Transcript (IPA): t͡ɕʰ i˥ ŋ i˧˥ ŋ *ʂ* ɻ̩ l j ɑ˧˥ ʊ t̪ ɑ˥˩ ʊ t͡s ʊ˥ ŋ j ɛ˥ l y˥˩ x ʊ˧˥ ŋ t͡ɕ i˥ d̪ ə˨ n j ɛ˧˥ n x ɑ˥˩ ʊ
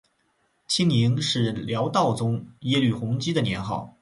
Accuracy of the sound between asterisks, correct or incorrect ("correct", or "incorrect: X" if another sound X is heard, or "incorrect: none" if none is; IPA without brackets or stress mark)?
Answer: correct